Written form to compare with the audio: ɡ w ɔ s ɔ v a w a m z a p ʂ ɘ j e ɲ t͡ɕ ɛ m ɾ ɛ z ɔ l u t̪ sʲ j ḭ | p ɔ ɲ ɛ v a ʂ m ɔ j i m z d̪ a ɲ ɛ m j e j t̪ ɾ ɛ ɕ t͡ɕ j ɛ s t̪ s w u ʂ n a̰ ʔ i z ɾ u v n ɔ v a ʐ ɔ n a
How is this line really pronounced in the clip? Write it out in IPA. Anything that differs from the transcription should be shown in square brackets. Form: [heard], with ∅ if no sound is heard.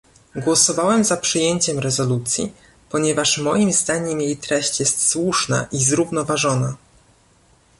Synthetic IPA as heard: ɡ w ɔ s ɔ v a w [ɛ] m z a p ʂ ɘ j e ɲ t͡ɕ ɛ m ɾ ɛ z ɔ l u t̪ sʲ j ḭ | p ɔ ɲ ɛ v a ʂ m ɔ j i m z d̪ a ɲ ɛ m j e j t̪ ɾ ɛ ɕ t͡ɕ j ɛ s t̪ s w u ʂ n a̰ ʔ i z ɾ u v n ɔ v a ʐ ɔ n a